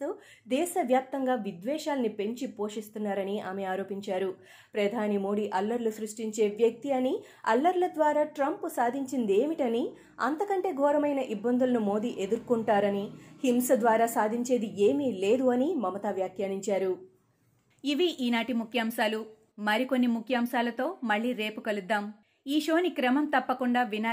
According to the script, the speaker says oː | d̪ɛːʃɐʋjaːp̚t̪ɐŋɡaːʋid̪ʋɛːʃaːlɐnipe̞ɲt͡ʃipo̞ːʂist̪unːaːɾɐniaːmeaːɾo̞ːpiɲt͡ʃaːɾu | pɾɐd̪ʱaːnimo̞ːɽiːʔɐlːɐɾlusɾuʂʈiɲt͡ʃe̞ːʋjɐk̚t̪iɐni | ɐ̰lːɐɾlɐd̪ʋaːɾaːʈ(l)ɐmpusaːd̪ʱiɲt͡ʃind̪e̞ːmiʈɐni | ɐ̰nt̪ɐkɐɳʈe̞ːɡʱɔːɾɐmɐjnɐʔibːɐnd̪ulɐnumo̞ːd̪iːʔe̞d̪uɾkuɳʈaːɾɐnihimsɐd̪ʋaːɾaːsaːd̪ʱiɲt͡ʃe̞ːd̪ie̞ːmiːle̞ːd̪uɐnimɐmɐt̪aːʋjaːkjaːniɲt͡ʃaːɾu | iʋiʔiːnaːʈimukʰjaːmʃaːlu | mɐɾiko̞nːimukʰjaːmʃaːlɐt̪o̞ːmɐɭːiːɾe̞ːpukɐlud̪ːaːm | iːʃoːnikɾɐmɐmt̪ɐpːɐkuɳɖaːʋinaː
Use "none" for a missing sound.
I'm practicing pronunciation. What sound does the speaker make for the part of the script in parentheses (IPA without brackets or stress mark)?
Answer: ɾ